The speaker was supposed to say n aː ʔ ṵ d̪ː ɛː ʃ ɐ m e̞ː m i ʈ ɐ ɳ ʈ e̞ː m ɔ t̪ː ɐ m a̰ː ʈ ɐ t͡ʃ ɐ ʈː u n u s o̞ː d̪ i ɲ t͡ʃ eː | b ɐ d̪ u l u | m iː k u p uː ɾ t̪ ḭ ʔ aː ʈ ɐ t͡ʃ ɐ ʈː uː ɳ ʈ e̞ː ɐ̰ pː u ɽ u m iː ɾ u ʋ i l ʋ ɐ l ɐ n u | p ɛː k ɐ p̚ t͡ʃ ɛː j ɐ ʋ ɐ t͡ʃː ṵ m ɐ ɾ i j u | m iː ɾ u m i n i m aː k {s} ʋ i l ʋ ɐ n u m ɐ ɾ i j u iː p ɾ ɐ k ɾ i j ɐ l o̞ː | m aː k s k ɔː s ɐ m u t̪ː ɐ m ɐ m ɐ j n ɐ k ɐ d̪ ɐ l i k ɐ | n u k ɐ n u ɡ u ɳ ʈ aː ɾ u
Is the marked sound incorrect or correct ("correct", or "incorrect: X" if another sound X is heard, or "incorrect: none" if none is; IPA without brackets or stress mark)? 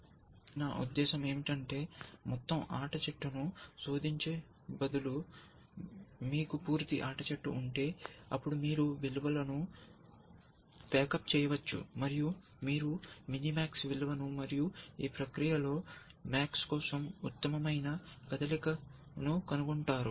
correct